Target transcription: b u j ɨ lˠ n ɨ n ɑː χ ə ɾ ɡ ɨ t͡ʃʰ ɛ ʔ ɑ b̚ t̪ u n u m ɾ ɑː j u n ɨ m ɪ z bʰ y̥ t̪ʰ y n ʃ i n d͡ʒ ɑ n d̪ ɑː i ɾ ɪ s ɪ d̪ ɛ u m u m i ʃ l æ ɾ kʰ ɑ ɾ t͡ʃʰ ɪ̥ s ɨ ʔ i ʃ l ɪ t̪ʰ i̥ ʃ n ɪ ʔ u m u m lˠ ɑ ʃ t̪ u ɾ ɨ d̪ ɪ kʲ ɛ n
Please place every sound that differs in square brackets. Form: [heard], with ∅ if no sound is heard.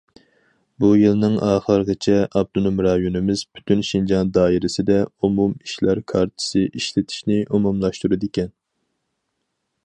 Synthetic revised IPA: b u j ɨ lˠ n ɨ [ŋ] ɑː χ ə ɾ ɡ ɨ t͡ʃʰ ɛ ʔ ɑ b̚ [d̪] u n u m ɾ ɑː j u n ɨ m ɪ z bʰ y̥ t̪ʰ y n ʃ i n d͡ʒ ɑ n d̪ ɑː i ɾ ɪ s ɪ d̪ ɛ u m u m i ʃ l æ ɾ kʰ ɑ ɾ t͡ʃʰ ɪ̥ s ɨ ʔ i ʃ l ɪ t̪ʰ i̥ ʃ n ɪ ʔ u m u m lˠ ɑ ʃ t̪ u ɾ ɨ d̪ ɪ kʲ ɛ n